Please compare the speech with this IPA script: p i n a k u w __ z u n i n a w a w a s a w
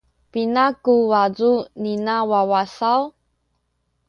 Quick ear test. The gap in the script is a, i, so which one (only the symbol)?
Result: a